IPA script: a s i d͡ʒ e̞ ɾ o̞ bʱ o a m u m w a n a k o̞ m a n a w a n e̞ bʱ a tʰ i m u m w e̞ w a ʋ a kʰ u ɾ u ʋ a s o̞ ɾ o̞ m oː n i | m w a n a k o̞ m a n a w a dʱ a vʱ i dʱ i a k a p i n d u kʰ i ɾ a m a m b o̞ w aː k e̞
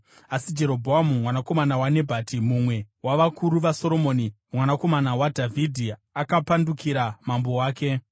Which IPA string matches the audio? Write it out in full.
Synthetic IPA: a s i d͡ʒ e̞ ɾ o̞ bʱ o a m u m w a n a k o̞ m a n a w a n e̞ bʱ a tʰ i m u m w e̞ w a ʋ a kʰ u ɾ u ʋ a s o̞ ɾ o̞ m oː n i | m w a n a k o̞ m a n a w a dʱ a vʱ i dʱ i a k a p a n d u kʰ i ɾ a m a m b o̞ w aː k e̞